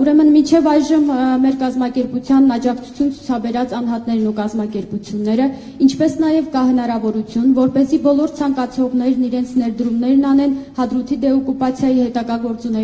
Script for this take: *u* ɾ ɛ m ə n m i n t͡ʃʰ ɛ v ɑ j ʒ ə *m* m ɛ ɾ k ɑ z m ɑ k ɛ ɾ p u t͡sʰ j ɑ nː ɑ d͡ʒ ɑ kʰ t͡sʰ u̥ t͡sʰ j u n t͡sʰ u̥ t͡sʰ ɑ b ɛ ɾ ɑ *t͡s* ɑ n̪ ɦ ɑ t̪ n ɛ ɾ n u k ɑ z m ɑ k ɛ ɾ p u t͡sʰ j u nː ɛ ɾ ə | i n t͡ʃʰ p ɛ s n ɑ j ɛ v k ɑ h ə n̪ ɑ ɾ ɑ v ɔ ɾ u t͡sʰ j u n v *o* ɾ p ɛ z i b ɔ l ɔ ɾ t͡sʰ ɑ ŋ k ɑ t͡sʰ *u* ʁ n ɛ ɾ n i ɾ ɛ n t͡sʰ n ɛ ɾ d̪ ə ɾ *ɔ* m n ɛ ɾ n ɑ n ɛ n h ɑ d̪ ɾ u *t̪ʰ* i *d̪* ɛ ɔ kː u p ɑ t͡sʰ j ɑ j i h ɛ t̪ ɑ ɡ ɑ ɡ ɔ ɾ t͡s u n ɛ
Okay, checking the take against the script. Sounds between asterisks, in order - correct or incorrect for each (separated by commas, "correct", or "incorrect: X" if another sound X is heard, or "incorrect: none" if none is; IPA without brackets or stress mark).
correct, correct, correct, incorrect: ɔ, incorrect: ɔ, incorrect: u, correct, correct